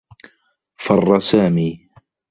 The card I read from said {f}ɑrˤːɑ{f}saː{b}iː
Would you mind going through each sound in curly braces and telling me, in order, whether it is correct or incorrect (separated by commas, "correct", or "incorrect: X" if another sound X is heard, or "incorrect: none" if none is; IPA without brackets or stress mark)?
correct, incorrect: none, incorrect: m